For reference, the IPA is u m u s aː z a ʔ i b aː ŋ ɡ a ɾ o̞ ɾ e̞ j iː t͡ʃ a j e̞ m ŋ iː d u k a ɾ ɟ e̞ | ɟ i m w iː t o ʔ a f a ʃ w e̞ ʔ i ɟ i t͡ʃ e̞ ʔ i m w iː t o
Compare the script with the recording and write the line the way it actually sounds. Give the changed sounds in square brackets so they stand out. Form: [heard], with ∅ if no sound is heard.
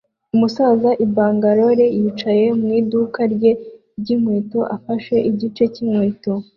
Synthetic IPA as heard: u m u s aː z a ʔ i b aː ŋ ɡ a ɾ o̞ ɾ e̞ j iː t͡ʃ a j e̞ m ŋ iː d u k a ɾ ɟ e̞ | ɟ i m w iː t o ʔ a f a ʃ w e̞ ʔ i ɟ i t͡ʃ e̞ [c] i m w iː t o